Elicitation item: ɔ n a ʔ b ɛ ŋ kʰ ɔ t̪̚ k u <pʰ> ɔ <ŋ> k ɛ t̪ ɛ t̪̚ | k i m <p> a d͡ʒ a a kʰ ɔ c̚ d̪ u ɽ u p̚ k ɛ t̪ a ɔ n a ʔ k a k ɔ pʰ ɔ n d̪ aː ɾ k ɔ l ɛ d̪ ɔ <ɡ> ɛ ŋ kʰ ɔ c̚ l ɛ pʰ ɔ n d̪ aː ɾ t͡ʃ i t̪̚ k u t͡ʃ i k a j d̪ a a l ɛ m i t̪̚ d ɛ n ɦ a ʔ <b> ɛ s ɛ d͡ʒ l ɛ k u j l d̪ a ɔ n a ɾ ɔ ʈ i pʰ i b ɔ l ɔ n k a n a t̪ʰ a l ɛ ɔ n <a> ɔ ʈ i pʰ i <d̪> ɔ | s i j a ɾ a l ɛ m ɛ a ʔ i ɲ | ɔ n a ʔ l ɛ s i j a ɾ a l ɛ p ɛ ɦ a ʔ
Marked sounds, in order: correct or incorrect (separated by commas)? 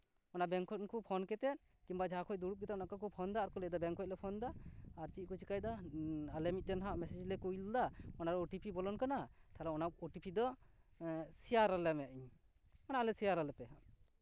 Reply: correct, incorrect, incorrect, incorrect, incorrect, correct, correct